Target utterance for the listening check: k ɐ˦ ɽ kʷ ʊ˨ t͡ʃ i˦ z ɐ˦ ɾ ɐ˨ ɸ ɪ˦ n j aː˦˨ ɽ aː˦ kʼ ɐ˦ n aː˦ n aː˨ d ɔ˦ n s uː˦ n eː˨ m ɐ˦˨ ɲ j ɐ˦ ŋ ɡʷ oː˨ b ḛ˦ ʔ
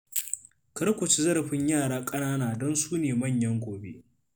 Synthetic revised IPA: k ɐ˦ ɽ kʷ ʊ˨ t͡ʃ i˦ z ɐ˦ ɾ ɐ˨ ɸ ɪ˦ ɲ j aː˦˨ ɽ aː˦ kʼ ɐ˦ n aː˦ n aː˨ d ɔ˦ n s uː˦ n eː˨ m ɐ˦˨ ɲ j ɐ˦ ŋ ɡʷ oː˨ b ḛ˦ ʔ